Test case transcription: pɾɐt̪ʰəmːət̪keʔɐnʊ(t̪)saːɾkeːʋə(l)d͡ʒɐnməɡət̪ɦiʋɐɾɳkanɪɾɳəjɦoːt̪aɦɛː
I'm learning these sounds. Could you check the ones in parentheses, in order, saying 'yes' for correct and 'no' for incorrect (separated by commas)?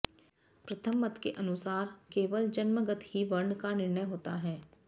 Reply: no, yes